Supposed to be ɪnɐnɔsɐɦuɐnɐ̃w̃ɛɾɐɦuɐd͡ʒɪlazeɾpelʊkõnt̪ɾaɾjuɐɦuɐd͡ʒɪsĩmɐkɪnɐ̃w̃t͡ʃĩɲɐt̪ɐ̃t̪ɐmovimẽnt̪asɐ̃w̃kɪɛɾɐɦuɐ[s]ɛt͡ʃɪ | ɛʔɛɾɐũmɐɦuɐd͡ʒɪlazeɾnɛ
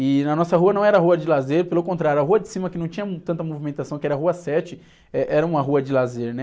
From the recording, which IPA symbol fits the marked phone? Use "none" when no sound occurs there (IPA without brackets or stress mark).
s